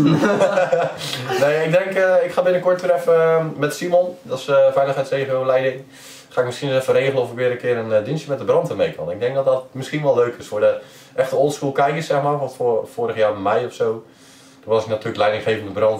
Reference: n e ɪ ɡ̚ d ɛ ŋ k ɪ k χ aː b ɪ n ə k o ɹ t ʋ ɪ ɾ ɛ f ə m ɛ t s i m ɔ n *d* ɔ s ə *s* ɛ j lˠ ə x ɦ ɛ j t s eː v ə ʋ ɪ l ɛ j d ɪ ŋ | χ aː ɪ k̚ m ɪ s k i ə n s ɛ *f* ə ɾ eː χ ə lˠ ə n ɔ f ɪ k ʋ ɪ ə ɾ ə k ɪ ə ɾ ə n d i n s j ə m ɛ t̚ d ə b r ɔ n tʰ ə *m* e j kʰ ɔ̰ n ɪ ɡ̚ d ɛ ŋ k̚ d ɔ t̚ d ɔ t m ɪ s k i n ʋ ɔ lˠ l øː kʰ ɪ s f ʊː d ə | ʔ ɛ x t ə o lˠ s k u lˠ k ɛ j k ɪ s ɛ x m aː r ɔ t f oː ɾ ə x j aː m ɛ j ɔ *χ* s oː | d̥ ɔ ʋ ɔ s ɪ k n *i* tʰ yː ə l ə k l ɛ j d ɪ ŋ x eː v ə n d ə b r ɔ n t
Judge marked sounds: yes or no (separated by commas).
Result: yes, no, yes, yes, no, no